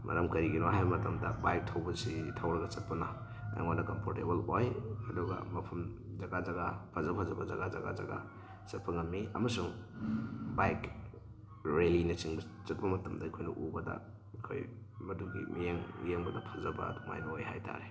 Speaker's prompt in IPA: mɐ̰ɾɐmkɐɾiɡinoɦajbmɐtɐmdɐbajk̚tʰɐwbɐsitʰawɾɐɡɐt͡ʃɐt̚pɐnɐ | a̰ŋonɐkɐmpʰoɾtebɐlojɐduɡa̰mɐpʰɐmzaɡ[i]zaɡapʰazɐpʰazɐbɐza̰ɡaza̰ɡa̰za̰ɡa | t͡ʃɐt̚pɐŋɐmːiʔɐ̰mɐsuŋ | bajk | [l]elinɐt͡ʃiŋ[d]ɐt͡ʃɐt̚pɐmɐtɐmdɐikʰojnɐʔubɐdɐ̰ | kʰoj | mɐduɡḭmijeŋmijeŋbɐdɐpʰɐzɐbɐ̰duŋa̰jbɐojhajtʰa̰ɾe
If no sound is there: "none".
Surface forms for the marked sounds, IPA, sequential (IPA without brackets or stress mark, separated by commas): a, ɾ, b